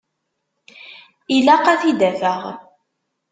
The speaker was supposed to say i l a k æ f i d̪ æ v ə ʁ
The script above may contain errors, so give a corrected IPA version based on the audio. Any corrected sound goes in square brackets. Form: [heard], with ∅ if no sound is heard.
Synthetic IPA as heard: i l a [q] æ [θ] i d̪ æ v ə ʁ